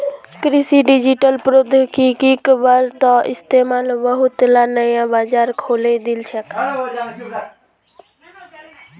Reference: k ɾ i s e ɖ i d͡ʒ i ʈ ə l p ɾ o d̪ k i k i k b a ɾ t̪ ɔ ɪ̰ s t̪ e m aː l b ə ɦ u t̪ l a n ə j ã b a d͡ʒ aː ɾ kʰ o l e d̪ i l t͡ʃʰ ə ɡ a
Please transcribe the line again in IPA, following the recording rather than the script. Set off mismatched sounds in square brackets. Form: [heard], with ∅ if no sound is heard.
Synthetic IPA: k ɾ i s [i] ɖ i d͡ʒ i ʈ ə l p ɾ o d̪ k i k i k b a ɾ t̪ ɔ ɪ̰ s t̪ e m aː l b ə ɦ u t̪ l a n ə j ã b a d͡ʒ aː ɾ kʰ o l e d̪ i l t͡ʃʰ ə [k] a